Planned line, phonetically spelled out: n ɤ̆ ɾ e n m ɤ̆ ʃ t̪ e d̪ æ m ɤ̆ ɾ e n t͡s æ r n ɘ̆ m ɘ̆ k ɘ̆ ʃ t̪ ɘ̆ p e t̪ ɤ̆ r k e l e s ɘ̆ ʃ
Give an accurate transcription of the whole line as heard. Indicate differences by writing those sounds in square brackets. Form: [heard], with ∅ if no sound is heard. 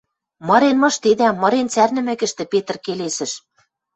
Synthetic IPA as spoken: [m] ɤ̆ ɾ e n m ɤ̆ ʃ t̪ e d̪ æ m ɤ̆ ɾ e n t͡s æ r n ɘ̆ m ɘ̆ k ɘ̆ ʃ t̪ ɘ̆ p e t̪ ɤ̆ r k e l e s ɘ̆ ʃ